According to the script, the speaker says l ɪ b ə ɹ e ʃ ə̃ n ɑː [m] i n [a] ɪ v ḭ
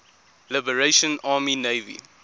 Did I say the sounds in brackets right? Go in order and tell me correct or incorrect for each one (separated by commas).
correct, incorrect